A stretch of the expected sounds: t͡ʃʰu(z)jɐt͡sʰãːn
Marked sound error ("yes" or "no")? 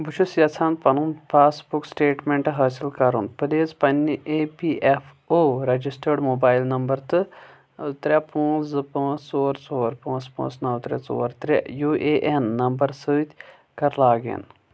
yes